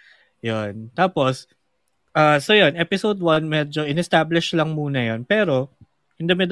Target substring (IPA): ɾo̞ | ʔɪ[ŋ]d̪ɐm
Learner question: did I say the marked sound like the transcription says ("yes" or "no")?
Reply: no